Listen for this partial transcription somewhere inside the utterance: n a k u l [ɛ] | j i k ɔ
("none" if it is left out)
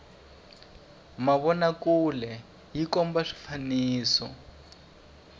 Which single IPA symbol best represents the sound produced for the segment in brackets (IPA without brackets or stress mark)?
ɛ